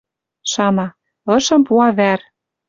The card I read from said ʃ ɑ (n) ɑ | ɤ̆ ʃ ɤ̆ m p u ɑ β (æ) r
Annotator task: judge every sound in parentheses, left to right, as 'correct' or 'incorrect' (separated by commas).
incorrect, correct